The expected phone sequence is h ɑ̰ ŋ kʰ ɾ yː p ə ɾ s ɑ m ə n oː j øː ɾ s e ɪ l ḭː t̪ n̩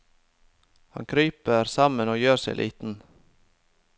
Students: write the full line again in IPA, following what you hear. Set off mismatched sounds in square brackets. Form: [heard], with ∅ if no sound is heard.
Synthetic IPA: h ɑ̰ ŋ kʰ ɾ yː p ə ɾ s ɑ m ə n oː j øː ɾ s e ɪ l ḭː t̪ n̩